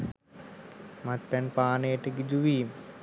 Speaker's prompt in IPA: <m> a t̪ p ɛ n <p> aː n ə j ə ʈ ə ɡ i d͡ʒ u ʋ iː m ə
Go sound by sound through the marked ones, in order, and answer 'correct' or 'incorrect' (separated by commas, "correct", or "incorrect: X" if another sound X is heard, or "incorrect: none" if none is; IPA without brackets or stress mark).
correct, correct